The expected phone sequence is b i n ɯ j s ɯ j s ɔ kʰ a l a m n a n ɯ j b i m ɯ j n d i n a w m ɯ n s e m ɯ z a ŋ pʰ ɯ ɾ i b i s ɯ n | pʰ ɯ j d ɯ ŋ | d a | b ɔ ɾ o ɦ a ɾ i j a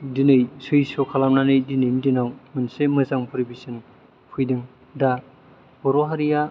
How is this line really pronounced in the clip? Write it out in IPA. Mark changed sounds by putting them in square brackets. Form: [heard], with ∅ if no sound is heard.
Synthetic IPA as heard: [d] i n ɯ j s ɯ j s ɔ kʰ a l a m n a n ɯ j [d] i [n] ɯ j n d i n a w m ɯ n s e m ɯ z a ŋ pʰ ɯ ɾ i b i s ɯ n | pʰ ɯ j d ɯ ŋ | d a | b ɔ ɾ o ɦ a ɾ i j a